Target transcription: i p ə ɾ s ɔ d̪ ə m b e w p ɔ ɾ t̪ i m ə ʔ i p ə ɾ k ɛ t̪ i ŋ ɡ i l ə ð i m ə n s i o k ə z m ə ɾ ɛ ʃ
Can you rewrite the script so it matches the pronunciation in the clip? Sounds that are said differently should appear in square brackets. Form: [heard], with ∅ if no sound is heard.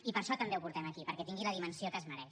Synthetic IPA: i p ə ɾ [ʃ] ɔ [t̪] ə m b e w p [u] ɾ t̪ [ɛ] m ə [k] i p ə ɾ k ɛ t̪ i ŋ ɡ i l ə ð i m ə n s i o k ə z m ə ɾ ɛ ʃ